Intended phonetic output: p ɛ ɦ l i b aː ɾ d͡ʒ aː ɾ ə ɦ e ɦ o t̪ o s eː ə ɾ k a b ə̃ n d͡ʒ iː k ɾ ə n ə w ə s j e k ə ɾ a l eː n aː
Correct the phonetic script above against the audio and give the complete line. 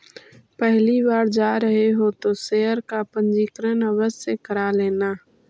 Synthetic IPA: p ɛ ɦ l i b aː ɾ d͡ʒ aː ɾ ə ɦ e ɦ o t̪ o s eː ə ɾ k a p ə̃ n d͡ʒ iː k ɾ ə n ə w ə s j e k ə ɾ a l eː n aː